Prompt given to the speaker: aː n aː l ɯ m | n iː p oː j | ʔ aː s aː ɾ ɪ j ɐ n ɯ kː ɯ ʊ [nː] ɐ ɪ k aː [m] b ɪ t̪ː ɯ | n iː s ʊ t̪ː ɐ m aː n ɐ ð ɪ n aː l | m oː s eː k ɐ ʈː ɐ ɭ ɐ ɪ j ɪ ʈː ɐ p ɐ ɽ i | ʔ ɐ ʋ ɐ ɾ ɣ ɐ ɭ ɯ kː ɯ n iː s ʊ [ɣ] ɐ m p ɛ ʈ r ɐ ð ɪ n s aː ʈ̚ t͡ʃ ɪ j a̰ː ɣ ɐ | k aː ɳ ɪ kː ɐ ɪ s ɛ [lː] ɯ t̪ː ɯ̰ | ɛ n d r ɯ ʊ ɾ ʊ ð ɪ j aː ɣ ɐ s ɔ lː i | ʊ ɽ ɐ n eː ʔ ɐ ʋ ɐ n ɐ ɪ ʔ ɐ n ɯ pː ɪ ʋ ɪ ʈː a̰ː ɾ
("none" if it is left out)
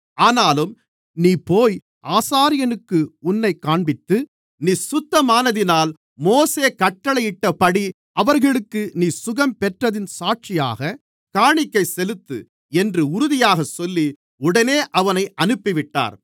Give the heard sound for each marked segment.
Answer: nː, ɳ, ɣ, l

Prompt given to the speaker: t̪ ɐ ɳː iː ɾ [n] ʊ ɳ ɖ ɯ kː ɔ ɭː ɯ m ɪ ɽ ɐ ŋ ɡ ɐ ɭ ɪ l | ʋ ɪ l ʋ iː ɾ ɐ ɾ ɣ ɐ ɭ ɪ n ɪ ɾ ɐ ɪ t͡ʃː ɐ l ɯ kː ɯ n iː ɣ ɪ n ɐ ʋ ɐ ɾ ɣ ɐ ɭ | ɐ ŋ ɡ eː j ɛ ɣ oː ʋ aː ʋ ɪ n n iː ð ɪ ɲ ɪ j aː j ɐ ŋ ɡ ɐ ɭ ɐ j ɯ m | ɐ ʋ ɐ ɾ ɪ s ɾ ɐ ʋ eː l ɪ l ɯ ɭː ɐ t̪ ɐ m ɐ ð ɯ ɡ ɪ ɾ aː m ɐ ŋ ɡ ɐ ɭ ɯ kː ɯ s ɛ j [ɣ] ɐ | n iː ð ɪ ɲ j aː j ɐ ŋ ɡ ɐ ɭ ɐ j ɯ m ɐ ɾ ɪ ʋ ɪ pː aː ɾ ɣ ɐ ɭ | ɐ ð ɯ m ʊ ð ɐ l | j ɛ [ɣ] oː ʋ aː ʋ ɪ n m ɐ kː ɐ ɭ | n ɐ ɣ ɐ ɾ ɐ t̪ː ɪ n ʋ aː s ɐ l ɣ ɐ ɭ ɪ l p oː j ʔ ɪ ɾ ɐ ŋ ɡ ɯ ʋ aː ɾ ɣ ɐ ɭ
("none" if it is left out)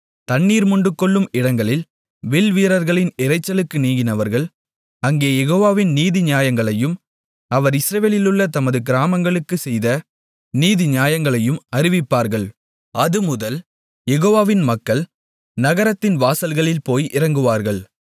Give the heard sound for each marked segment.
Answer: m, ð, ɣ

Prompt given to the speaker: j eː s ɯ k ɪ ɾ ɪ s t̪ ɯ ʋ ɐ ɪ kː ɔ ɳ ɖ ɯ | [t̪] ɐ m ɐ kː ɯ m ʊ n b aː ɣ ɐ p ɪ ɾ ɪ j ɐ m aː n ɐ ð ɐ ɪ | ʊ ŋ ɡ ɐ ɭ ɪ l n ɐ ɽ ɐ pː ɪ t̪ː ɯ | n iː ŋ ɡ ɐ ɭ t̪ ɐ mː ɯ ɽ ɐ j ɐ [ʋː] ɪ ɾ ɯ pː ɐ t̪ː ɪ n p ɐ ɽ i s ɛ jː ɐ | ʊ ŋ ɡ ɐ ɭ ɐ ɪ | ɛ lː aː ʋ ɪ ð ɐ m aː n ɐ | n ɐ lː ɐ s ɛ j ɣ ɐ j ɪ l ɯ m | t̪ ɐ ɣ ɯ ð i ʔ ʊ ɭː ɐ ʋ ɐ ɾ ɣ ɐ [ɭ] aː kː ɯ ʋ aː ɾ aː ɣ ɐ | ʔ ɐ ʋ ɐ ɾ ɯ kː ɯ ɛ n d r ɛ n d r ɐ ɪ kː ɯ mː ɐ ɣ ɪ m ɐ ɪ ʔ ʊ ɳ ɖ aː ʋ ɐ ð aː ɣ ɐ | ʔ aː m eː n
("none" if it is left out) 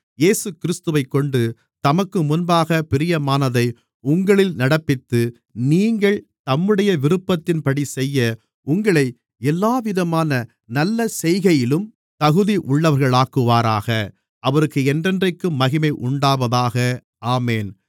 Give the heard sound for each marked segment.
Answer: t̪, ʋ, ɭ

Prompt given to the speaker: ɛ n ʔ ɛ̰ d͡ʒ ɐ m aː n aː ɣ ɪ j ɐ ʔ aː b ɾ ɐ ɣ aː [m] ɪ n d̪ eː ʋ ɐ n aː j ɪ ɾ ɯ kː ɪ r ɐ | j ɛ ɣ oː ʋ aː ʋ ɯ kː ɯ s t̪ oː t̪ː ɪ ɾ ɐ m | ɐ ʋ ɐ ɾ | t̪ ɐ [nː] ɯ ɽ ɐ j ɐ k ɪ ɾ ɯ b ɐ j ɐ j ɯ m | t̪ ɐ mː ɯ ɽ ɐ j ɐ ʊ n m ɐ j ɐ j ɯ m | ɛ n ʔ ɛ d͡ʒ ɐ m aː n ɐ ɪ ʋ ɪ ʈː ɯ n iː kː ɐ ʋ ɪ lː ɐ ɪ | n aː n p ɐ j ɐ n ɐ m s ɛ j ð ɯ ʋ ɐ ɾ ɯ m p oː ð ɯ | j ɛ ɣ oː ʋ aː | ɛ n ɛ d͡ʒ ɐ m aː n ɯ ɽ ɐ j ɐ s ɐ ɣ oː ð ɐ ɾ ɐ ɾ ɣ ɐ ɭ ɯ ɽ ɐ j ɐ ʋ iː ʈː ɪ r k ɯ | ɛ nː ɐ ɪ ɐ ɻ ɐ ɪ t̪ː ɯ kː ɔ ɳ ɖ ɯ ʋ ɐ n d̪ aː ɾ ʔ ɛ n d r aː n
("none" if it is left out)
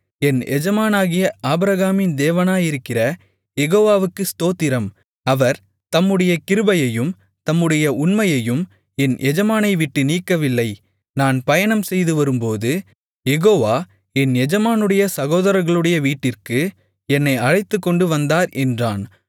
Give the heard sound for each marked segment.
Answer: m, mː

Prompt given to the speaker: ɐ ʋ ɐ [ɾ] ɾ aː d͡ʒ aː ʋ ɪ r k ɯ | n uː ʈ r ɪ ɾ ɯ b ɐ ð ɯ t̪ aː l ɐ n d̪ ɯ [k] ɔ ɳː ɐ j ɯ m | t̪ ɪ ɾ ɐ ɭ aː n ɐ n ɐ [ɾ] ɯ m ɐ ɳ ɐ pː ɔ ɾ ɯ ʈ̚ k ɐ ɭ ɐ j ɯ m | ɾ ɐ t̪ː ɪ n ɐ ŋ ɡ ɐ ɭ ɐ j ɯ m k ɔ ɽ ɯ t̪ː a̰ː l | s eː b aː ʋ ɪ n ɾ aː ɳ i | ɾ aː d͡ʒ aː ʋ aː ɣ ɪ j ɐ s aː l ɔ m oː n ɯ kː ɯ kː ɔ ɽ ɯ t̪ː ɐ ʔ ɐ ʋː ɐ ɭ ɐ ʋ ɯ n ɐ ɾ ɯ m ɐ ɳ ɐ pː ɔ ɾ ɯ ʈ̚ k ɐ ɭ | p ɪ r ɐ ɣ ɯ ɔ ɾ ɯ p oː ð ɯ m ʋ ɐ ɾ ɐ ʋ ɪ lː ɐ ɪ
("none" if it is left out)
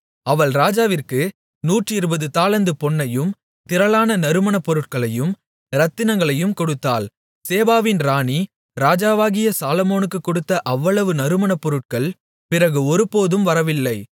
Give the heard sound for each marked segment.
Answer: ɭ, p, ɾ

